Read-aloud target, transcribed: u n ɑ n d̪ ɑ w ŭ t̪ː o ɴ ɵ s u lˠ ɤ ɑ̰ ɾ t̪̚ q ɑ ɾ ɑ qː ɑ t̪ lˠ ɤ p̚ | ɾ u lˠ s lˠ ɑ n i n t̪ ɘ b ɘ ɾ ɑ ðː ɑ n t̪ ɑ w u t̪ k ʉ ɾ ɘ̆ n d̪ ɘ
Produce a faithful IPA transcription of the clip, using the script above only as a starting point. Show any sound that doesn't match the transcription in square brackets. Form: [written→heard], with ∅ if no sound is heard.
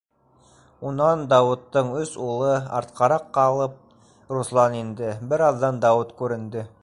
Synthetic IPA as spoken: u n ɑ n d̪ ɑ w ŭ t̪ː [o→ɤ] ɴ ɵ s u lˠ ɤ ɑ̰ ɾ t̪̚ q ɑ ɾ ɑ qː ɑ [t̪→∅] lˠ ɤ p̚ | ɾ u [lˠ→∅] s lˠ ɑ n i n [t̪→d̪] ɘ b ɘ ɾ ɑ ðː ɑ n [t̪→d̪] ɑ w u t̪ k ʉ ɾ ɘ̆ n d̪ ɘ